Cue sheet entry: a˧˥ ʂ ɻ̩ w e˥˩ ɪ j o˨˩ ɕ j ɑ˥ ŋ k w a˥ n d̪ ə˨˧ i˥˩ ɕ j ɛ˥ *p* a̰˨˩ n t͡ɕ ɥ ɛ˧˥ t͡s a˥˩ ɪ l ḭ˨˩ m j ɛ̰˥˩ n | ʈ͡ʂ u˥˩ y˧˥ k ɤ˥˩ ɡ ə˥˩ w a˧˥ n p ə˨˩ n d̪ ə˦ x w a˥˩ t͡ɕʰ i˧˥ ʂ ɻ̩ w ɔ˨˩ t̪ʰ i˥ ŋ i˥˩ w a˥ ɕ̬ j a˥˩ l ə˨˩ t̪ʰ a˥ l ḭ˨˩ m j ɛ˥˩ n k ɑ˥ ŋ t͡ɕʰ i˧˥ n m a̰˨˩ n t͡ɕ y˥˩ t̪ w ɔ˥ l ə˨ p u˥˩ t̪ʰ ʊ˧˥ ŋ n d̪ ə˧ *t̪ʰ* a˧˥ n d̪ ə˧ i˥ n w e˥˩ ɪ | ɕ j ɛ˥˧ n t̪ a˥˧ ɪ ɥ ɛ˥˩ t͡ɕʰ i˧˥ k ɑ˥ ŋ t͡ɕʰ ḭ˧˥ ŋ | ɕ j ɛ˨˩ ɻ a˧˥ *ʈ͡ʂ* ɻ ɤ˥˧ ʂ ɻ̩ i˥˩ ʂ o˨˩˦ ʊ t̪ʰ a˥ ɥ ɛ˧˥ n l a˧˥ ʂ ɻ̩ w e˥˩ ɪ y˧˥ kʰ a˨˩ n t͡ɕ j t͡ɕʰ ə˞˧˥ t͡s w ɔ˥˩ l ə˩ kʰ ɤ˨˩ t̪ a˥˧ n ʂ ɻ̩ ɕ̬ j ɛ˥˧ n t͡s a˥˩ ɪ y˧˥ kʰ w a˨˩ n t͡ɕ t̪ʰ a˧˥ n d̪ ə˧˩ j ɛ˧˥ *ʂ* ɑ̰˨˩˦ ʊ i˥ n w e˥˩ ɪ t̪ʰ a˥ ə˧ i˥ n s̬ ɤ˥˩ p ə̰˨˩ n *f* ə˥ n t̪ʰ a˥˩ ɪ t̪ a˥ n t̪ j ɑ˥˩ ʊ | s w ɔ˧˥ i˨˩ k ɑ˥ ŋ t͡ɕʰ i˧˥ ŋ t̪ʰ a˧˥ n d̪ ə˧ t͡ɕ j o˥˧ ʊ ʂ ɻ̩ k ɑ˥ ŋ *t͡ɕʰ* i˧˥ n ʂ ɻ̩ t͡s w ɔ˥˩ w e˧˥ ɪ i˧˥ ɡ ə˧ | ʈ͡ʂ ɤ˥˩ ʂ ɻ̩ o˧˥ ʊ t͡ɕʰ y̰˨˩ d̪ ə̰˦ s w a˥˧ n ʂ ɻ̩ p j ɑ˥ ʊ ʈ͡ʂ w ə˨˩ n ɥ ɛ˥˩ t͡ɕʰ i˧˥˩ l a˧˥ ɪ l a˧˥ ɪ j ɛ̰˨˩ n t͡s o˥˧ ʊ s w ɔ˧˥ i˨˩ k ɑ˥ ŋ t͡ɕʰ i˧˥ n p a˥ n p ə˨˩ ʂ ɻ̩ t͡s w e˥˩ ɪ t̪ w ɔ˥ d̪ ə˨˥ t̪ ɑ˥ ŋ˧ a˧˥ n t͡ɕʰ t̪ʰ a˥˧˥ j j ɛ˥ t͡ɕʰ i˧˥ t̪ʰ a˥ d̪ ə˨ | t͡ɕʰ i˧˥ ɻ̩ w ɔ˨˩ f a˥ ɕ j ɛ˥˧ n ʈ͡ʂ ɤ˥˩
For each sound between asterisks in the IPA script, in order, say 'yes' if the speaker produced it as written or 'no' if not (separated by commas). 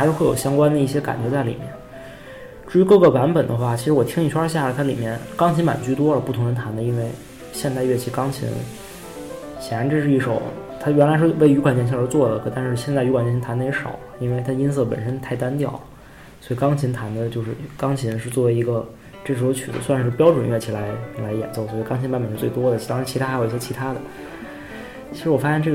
no, yes, yes, yes, no, yes